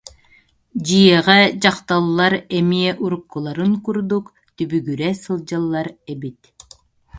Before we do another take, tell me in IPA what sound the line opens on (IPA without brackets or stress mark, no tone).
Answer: d͡ʑ